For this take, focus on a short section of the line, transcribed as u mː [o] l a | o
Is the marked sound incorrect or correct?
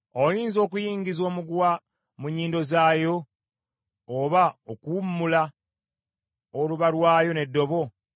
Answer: incorrect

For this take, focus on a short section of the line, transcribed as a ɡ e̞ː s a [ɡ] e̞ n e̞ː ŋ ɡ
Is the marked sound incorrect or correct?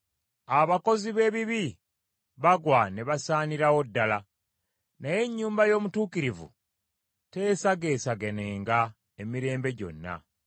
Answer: correct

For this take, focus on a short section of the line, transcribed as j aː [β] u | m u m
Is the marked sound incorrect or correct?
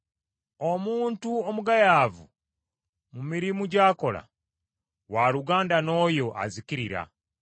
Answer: incorrect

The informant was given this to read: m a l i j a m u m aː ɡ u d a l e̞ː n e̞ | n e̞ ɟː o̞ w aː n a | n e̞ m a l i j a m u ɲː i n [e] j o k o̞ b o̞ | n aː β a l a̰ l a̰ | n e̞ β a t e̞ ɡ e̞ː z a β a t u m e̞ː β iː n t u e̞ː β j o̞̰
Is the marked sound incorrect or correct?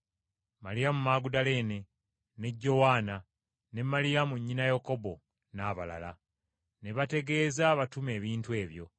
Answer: incorrect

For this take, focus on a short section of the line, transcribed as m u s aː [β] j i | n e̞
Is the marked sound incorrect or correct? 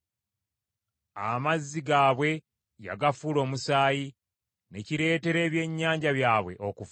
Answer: incorrect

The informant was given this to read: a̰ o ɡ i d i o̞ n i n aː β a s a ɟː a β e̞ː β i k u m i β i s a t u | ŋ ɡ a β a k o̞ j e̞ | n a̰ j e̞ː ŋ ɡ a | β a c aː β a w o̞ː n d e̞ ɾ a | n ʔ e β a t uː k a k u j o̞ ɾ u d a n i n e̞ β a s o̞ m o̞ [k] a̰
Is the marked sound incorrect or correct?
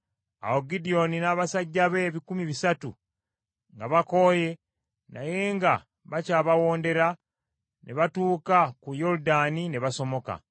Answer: correct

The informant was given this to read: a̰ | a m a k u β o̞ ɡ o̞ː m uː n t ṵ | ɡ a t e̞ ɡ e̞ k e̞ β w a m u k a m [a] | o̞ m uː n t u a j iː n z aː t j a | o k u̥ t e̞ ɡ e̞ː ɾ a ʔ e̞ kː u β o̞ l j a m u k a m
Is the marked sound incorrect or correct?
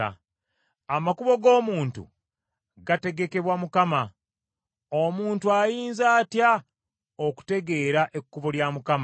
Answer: correct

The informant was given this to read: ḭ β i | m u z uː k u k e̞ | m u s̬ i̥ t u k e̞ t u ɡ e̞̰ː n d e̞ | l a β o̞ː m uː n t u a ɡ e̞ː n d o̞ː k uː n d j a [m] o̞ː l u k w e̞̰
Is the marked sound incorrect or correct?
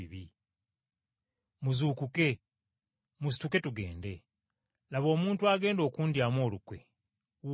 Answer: correct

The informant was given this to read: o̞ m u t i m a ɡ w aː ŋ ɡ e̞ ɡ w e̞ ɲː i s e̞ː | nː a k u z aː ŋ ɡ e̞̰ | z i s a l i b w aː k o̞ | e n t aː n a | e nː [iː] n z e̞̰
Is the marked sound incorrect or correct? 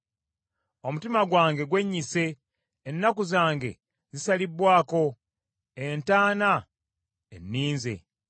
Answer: correct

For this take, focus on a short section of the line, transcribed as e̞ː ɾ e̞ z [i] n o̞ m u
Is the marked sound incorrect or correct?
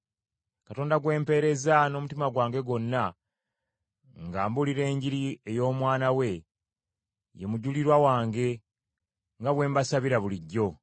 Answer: incorrect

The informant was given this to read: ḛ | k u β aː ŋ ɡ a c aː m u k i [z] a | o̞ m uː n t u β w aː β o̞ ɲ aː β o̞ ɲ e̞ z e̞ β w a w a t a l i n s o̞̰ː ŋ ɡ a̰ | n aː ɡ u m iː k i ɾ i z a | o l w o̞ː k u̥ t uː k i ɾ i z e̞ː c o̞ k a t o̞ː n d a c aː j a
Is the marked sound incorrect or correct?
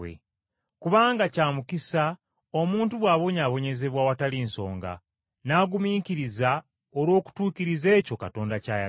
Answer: incorrect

